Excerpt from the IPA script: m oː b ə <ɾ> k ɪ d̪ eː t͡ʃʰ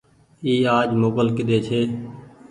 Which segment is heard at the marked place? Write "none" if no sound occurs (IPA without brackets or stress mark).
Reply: l